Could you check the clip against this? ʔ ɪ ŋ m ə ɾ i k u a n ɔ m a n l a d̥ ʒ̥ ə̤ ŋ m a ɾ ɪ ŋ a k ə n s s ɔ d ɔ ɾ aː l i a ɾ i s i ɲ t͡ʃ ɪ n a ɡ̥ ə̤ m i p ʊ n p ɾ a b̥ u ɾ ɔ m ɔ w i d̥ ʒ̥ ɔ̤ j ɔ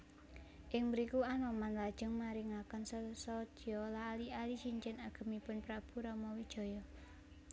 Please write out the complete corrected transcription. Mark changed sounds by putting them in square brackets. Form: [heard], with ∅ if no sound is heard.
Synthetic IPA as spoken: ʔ ɪ ŋ m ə ɾ i k u a n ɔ m a n l a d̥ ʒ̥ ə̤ ŋ m a ɾ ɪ ŋ a k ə n s s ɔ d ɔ [l] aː l i a [l] i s i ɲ t͡ʃ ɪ n a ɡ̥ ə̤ m i p ʊ n p ɾ a b̥ u ɾ ɔ m ɔ w i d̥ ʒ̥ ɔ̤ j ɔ

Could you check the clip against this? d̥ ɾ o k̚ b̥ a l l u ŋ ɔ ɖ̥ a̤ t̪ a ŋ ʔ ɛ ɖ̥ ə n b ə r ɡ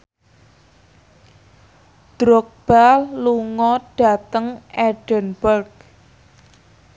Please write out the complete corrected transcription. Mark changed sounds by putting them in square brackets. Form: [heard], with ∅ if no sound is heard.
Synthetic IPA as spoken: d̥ ɾ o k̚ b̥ a l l u ŋ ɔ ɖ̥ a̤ t̪ [ə] ŋ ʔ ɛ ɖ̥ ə n b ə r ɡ

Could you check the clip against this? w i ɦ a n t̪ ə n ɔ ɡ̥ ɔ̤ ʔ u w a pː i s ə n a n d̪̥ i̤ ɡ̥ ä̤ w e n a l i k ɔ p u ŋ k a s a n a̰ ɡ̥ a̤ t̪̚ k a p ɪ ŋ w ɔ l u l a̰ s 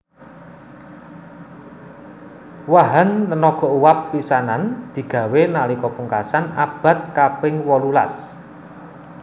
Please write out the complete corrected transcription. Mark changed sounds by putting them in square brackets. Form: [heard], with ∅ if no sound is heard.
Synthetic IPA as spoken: w [a] ɦ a n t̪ ə n ɔ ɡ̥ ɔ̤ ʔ u w a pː i s [a] n a n d̪̥ i̤ ɡ̥ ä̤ w e n a l i k ɔ p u ŋ k a s a n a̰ [b̥] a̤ t̪̚ k a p ɪ ŋ w ɔ l u l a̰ s

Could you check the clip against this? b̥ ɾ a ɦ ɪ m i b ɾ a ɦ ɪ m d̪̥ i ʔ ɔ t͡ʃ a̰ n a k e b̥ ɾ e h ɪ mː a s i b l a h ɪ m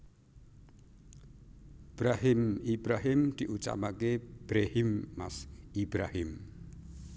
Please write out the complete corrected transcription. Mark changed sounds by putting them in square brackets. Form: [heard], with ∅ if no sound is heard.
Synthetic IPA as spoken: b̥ ɾ a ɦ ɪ m i b ɾ a ɦ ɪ m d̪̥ i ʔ [u] t͡ʃ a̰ [m] a k e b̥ ɾ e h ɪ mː a s i b [ɾ] a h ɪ m

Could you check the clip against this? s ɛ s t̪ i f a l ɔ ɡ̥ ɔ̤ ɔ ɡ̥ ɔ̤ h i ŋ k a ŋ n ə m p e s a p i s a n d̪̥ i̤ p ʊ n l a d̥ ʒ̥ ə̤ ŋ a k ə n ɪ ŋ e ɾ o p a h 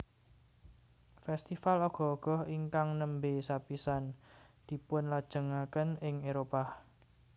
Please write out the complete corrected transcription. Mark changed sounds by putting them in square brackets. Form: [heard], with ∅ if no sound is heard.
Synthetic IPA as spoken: [f] ɛ s t̪ i f a l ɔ ɡ̥ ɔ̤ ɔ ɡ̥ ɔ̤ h i ŋ k a ŋ n ə m [b] e s a p i s a n d̪̥ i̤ p ʊ n l a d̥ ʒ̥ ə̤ ŋ a k ə n ɪ ŋ e ɾ o p a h

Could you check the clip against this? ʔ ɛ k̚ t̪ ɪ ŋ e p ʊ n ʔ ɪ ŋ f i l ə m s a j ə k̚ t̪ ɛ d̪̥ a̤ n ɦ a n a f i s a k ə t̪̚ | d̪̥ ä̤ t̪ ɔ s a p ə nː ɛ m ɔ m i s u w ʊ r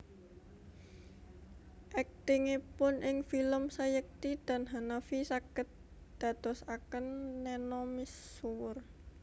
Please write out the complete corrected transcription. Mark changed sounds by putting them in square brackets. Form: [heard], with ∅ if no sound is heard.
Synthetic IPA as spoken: ʔ ɛ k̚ t̪ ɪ ŋ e p ʊ n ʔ ɪ ŋ f i l ə m s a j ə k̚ t̪ [i] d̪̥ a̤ n ɦ a n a f i s a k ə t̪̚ | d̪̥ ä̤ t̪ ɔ s a [k] ə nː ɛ [n] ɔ m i s u w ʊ r

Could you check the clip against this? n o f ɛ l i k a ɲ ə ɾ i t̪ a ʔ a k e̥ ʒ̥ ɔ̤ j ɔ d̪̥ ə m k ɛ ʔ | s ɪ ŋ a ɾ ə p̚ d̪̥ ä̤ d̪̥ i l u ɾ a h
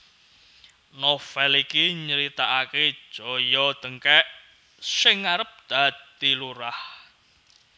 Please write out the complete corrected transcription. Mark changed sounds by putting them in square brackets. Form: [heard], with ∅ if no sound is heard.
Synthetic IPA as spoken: n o f ɛ l i k [i] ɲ ə ɾ i t̪ a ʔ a k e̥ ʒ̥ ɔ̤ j ɔ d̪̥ ə [ŋ] k ɛ ʔ | s ɪ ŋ a ɾ ə p̚ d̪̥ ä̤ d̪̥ i l u ɾ a h

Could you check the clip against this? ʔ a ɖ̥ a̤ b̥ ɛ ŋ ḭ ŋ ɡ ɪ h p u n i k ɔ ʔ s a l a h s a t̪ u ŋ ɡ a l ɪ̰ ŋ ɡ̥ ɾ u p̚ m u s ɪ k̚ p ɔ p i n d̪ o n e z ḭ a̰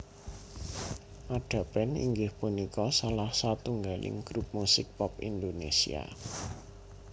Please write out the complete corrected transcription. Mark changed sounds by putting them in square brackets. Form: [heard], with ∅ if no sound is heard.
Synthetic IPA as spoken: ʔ a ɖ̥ a̤ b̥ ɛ [n] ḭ ŋ ɡ ɪ h p u n i k ɔ [∅] s a l a h s a t̪ u ŋ ɡ a l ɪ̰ ŋ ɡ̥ ɾ u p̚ m u s ɪ k̚ p ɔ p i n d̪ o n e [s] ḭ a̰

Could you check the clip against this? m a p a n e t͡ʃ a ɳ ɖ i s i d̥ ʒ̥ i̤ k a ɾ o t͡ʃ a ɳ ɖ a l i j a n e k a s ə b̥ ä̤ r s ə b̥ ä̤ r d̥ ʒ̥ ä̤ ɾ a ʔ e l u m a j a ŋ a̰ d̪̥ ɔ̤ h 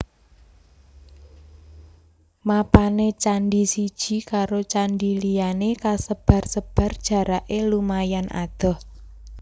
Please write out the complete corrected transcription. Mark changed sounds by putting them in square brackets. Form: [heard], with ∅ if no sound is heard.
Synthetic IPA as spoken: m a p a n e t͡ʃ a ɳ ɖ i s i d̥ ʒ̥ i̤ k a ɾ o t͡ʃ a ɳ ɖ [i] l i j a n e k a s ə b̥ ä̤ r s ə b̥ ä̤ r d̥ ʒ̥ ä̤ ɾ a ʔ e l u m a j a [n] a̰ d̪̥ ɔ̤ h

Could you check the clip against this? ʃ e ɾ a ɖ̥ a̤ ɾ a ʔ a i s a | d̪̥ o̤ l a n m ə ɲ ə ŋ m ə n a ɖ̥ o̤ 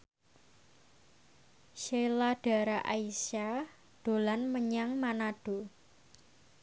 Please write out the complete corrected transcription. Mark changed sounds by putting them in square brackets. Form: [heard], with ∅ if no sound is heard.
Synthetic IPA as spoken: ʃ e [l] a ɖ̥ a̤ ɾ a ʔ a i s a | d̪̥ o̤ l a n m ə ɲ [a] ŋ m [a] n a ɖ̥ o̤

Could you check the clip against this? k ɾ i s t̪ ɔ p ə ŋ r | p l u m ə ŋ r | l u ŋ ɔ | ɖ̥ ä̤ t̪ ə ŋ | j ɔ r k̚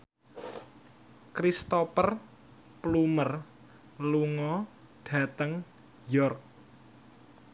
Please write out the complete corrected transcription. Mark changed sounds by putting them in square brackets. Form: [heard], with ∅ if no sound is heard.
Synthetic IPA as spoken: k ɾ i s t̪ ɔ p ə [∅] r | p l u m ə [∅] r | l u ŋ ɔ | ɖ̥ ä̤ t̪ ə ŋ | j ɔ r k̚

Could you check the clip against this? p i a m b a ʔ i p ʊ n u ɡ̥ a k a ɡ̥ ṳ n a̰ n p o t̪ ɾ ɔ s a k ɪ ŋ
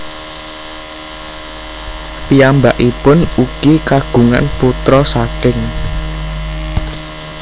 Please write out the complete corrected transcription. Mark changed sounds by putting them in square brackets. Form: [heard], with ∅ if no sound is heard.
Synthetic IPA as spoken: p i a m b a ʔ i p ʊ n u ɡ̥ [i] k a ɡ̥ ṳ [ŋ] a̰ n p [u] t̪ ɾ ɔ s a k ɪ ŋ

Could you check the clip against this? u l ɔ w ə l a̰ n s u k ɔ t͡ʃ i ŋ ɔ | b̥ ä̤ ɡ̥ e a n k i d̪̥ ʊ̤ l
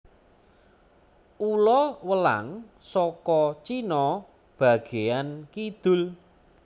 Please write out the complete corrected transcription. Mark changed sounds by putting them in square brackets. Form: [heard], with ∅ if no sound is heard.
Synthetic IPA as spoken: u l ɔ w ə l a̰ [ŋ] s [ɔ] k ɔ t͡ʃ i [n] ɔ | b̥ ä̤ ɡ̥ e a n k i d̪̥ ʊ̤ l

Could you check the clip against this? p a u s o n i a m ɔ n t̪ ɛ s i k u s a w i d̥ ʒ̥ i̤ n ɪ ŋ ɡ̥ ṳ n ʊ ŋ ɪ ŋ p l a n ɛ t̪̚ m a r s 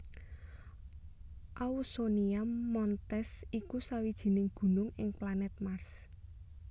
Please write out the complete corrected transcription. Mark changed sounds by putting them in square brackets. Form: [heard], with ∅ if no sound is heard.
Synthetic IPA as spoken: [ʔ] a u s o n i a m ɔ n t̪ ɛ s i k u s a w i d̥ ʒ̥ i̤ n ɪ ŋ ɡ̥ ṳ n ʊ ŋ ɪ ŋ p l a n ɛ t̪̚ m a r s

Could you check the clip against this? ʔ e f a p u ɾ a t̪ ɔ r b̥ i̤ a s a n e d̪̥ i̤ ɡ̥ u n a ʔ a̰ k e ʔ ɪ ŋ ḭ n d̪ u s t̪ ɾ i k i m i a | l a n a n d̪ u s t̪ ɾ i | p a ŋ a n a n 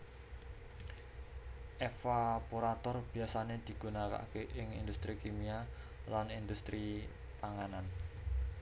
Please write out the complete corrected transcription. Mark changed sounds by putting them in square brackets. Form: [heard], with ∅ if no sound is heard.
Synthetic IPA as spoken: ʔ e f a p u ɾ a t̪ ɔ r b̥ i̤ a s a n e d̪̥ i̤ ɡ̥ u n a [k] a̰ k e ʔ ɪ ŋ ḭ n d̪ u s t̪ ɾ i k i m i a | l a n [i] n d̪ u s t̪ ɾ i | p a ŋ a n a n

